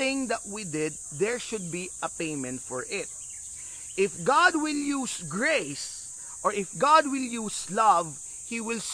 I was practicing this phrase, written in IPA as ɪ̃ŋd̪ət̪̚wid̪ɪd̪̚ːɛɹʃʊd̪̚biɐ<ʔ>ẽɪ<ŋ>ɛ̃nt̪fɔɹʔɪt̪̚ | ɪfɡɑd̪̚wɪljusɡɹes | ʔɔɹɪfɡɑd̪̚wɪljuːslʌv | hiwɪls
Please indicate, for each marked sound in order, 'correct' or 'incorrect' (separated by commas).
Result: incorrect, incorrect